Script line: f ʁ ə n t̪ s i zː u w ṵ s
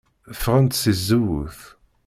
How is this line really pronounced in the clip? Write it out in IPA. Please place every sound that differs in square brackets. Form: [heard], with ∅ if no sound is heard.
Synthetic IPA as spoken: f ʁ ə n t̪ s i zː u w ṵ [θ]

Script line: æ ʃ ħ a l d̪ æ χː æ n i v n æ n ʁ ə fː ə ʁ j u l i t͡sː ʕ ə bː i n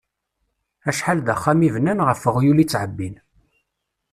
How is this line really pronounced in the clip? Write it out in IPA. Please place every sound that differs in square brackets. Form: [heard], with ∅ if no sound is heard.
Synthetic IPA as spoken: æ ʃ ħ a l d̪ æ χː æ [m] i v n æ n ʁ ə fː ə ʁ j u l i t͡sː ʕ ə bː i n

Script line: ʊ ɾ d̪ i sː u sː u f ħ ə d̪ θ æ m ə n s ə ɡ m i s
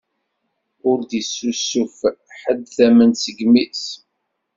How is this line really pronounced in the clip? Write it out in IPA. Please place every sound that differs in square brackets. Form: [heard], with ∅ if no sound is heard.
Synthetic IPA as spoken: ʊ ɾ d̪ i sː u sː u f ħ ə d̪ θ æ m ə n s ə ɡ m i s

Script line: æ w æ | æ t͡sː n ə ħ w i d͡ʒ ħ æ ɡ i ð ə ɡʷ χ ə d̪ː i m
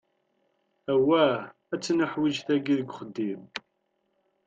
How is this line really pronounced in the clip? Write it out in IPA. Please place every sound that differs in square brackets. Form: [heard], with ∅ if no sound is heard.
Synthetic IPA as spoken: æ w æ | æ t͡sː n ə ħ w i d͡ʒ [θ] æ ɡ i ð ə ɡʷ χ ə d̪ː i m

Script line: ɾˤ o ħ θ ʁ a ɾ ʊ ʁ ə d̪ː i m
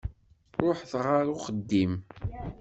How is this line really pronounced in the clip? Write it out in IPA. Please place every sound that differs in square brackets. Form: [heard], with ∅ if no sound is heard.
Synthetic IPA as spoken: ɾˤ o ħ θ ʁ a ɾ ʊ [χ] ə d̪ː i m

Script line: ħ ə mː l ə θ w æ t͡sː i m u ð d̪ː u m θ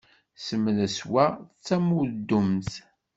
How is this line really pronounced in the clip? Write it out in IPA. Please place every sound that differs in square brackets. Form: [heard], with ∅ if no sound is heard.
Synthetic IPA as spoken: [s] ə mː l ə [s] w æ t͡sː [æ] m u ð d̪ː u m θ

